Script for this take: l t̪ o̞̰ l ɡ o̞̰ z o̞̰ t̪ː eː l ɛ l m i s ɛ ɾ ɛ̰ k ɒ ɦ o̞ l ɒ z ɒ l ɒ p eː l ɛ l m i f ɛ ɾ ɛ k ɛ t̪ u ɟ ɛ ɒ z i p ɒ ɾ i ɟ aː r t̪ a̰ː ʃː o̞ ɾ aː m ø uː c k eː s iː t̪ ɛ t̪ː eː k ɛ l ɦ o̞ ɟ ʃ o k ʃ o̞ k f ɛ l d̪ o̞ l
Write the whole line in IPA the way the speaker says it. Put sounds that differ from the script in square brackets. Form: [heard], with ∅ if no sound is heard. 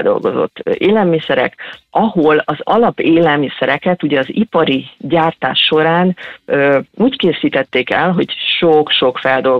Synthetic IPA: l [d̪] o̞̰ l ɡ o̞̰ z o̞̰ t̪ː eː l ɛ l m i s ɛ ɾ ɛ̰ k ɒ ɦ o̞ l ɒ z ɒ l ɒ p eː l ɛ l m i [s] ɛ ɾ ɛ k ɛ t̪ u ɟ ɛ ɒ z i p ɒ ɾ i ɟ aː r t̪ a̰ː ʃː o̞ ɾ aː [n] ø uː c k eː s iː t̪ ɛ t̪ː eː k ɛ l ɦ o̞ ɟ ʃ o k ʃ o̞ k f ɛ l d̪ o̞ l